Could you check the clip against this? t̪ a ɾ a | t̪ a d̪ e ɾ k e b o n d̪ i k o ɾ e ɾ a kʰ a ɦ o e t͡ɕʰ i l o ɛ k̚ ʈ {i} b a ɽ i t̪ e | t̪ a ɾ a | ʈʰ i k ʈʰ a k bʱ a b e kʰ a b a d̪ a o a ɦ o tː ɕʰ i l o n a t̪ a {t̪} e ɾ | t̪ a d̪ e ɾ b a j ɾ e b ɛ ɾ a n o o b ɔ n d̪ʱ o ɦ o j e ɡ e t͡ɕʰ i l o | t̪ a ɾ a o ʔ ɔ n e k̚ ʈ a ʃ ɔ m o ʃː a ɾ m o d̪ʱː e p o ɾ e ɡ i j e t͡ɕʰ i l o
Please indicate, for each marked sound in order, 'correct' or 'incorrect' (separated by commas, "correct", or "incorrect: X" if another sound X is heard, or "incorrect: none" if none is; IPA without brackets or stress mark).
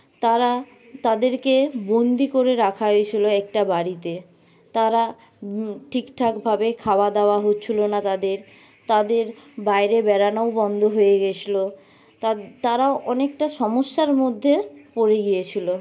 incorrect: a, incorrect: d̪